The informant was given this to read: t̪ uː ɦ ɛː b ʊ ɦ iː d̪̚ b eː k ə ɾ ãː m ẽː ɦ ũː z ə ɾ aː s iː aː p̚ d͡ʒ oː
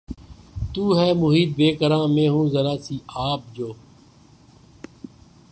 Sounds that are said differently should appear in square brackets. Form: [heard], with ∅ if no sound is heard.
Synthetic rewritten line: t̪ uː ɦ ɛː [m] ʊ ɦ iː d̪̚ b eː k ə ɾ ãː m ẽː ɦ ũː z ə ɾ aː s iː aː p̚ d͡ʒ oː

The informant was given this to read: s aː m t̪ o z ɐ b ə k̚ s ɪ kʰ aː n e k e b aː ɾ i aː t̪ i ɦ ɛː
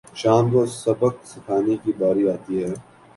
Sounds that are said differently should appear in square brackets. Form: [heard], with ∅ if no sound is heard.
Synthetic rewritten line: [ʃ] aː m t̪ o [s] ɐ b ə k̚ s ɪ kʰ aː n e k [i] b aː ɾ i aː t̪ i ɦ ɛː

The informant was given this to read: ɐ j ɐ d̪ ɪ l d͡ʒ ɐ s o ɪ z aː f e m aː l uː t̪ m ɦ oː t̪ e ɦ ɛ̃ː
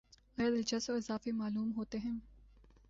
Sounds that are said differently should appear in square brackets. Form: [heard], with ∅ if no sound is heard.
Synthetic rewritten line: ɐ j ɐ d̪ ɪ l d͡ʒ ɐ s o ɪ z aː f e m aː l uː [∅] m ɦ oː t̪ e ɦ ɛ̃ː

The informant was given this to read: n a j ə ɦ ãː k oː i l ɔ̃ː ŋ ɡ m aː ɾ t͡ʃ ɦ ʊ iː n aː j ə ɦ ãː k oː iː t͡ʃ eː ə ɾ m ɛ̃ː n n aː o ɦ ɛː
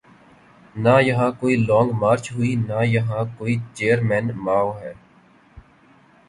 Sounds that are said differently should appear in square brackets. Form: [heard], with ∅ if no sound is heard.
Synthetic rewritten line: n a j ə ɦ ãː k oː i l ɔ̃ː ŋ ɡ m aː ɾ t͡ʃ ɦ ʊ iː n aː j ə ɦ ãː k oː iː t͡ʃ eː ə ɾ m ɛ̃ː n [m] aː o ɦ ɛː

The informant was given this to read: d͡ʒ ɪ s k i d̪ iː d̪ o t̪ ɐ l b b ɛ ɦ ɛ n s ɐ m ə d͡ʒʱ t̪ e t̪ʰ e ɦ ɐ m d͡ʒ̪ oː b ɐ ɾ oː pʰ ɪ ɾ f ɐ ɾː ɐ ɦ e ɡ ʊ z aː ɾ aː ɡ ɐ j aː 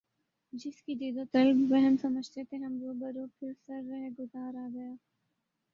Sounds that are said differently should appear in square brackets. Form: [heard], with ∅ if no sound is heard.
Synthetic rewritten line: d͡ʒ ɪ s k i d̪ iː d̪ o t̪ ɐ l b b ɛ ɦ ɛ n s ɐ m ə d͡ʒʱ t̪ e t̪ʰ e ɦ ɐ m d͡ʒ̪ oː b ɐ ɾ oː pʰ ɪ ɾ [s] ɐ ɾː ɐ ɦ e ɡ ʊ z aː ɾ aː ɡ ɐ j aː

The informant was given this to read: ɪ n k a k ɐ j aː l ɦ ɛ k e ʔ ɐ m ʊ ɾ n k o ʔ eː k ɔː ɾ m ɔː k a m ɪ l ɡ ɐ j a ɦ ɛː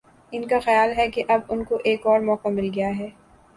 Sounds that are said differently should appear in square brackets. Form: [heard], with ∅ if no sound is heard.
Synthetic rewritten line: ɪ n k a [x] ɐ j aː l ɦ ɛ k e ʔ ɐ [b] ʊ [∅] n k o ʔ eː k ɔː ɾ m ɔː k a m ɪ l ɡ ɐ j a ɦ ɛː

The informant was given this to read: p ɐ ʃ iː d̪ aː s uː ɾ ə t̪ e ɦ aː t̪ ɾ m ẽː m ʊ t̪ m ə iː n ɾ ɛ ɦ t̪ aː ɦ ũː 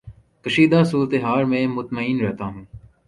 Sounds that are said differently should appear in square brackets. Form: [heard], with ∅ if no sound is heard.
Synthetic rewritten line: [k] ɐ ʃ iː d̪ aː s uː ɾ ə t̪ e ɦ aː [∅] ɾ m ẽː m ʊ t̪ m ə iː n ɾ ɛ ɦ t̪ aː ɦ ũː

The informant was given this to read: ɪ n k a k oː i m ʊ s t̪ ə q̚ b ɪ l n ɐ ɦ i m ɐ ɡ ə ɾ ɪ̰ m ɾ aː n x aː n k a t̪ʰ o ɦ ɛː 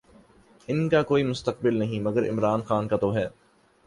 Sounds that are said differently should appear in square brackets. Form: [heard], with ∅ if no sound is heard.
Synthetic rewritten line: ɪ n k a k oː i m ʊ s t̪ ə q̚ b ɪ l n ɐ ɦ [ĩ] m ɐ ɡ ə ɾ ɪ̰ m ɾ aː n x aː n k a [t̪] o ɦ ɛː

